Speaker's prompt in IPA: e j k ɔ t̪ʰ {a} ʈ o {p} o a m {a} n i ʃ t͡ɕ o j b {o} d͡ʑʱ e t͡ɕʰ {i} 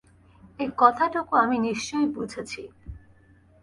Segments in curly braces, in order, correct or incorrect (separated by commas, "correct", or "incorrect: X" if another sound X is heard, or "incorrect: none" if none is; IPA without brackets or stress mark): correct, incorrect: k, incorrect: i, incorrect: u, correct